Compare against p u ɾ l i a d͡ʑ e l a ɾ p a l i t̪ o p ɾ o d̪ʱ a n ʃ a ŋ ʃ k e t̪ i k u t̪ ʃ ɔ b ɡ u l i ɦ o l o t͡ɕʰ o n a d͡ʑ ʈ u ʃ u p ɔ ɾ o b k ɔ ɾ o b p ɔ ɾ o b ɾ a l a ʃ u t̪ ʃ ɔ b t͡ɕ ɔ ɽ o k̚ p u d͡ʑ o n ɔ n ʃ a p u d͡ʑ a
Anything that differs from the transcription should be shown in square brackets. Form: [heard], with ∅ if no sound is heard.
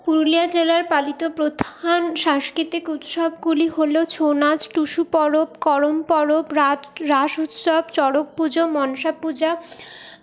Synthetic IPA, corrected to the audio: p u ɾ l i a d͡ʑ e l a ɾ p a l i t̪ o p ɾ o d̪ʱ a n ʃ a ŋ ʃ k [i] t̪ i k u t̪ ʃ ɔ b ɡ u l i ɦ o l o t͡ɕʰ o n a d͡ʑ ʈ u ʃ u p ɔ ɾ o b k ɔ ɾ o [m] p ɔ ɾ o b ɾ a [ɾ] a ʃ u t̪ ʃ ɔ b t͡ɕ ɔ ɽ o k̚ p u d͡ʑ o [m] ɔ n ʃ a p u d͡ʑ a